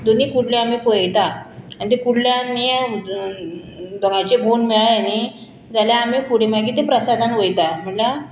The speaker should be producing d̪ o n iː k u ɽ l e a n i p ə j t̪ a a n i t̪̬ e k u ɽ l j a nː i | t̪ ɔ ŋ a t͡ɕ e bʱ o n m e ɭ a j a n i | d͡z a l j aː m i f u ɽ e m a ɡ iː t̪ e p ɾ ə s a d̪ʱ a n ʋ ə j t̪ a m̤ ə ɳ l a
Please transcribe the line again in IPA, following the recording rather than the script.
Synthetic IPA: d̪ o n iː k u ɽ l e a m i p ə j t̪ a a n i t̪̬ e k u ɽ l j a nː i | d̪ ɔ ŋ a t͡ɕ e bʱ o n m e ɭ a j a n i | d͡z a l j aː m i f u ɽ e m a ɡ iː t̪ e p ɾ ə s a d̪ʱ a n ʋ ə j t̪ a m̤ ə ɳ l a